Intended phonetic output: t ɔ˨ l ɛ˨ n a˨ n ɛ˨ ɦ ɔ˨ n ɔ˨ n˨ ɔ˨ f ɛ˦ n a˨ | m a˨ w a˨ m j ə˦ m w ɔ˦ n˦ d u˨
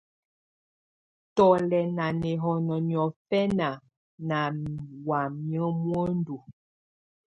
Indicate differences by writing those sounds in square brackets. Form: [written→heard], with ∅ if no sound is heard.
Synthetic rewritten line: t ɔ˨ l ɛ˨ n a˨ n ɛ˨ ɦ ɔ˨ n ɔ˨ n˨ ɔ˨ f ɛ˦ n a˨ | [m→n] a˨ w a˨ m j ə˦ m w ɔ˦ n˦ d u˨